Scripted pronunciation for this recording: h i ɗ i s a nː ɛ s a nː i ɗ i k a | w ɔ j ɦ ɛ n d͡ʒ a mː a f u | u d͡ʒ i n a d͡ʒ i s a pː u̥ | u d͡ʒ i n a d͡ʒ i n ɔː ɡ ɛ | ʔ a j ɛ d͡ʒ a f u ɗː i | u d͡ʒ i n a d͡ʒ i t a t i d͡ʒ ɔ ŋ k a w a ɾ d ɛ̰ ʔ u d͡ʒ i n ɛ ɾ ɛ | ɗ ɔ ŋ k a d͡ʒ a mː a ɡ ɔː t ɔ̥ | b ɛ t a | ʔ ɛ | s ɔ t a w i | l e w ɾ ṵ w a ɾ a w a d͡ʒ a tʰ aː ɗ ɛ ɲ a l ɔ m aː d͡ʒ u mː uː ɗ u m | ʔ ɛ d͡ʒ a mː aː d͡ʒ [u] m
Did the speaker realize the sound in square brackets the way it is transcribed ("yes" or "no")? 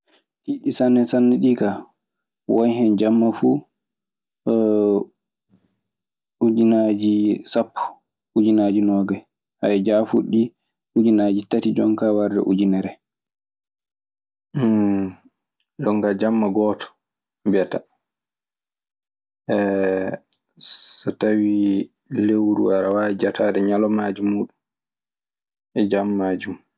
yes